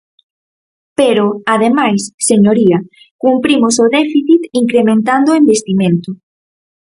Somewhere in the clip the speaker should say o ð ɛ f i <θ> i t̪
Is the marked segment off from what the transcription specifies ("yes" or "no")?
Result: no